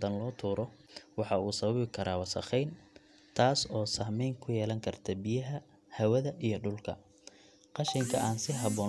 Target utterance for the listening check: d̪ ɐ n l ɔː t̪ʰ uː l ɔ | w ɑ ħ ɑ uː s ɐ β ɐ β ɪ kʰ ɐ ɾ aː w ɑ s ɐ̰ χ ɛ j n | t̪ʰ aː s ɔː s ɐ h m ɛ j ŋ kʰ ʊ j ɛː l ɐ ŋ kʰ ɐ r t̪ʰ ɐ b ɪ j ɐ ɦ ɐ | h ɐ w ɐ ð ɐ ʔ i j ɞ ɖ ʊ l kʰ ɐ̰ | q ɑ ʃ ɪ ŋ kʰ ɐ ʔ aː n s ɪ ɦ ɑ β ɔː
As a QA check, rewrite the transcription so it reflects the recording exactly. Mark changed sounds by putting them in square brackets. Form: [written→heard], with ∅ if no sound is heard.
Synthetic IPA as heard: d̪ ɐ n l ɔː t̪ʰ uː [l→ɾ] ɔ | w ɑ ħ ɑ uː s ɐ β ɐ β ɪ kʰ ɐ ɾ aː w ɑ s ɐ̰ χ ɛ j n | t̪ʰ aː s ɔː s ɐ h m ɛ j ŋ kʰ ʊ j ɛː l ɐ ŋ kʰ ɐ r t̪ʰ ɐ b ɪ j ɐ ɦ ɐ | h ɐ w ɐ ð ɐ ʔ i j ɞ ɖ ʊ l kʰ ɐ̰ | q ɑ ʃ ɪ ŋ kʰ ɐ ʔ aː n s ɪ ɦ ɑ β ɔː